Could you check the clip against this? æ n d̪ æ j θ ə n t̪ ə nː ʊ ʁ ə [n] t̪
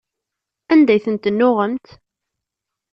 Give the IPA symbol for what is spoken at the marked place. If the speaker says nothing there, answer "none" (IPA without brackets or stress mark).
m